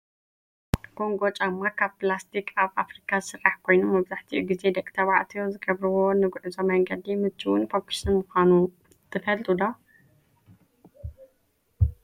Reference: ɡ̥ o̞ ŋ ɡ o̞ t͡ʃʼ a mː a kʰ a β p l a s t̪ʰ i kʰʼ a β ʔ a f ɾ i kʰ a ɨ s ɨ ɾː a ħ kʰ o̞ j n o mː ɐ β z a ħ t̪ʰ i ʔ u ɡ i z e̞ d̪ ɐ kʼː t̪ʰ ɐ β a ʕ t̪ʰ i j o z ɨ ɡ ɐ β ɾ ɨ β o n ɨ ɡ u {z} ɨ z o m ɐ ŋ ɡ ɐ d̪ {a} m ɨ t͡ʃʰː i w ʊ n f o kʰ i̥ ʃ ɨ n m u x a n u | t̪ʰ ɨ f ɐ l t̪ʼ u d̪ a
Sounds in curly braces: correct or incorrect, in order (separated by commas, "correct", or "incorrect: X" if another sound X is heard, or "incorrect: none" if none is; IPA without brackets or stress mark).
incorrect: ʕ, incorrect: i